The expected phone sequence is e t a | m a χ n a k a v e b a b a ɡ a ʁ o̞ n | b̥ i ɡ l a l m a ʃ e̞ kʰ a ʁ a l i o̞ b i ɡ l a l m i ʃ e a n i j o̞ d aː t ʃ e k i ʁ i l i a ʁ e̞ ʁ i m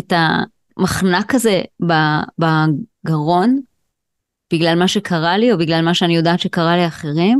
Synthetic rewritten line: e t a | m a χ n a k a z e b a b a ɡ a ʁ o̞ n | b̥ i ɡ l a l m a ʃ e̞ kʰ a ʁ a l i o̞ b i ɡ l a l m a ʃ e a n i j o̞ d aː t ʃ e k a ʁ a l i a χ e̞ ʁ i m